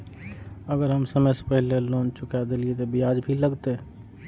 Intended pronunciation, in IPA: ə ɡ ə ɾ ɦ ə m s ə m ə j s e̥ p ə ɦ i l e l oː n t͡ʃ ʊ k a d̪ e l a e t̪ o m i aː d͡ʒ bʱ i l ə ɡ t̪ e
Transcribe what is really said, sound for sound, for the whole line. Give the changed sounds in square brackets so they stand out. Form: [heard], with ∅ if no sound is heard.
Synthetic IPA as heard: ə ɡ ə ɾ ɦ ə m s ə m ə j s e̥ p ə ɦ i l e l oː n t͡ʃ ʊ k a d̪ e l [i] e t̪ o [b] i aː d͡ʒ bʱ i l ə ɡ t̪ e